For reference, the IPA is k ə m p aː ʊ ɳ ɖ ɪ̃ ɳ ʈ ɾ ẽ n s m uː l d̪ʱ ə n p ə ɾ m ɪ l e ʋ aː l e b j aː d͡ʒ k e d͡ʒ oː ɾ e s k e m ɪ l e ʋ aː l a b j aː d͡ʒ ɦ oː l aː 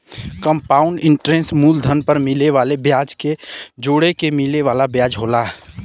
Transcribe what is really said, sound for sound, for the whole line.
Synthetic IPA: k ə m p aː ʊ ɳ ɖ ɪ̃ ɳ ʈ ɾ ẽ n s m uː l d̪ʱ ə n p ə ɾ m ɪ l e ʋ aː l e b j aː d͡ʒ k e d͡ʒ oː ɽ e k e m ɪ l e ʋ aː l a b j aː d͡ʒ ɦ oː l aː